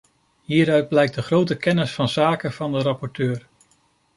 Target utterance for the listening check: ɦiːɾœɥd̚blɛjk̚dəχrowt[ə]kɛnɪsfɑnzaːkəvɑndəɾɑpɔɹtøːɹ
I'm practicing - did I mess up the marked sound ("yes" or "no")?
no